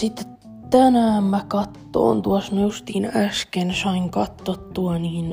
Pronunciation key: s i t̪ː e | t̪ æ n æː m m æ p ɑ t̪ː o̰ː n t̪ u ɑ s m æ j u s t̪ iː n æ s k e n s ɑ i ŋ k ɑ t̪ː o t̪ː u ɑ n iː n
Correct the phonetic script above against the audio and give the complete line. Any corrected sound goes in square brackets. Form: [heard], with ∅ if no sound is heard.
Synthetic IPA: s i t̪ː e | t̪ æ n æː m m æ [k] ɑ t̪ː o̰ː n t̪ u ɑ s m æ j u s t̪ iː n æ s k e n s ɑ i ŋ k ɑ t̪ː o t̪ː u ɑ n iː n